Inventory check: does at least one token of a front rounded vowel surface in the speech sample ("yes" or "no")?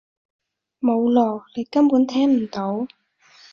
no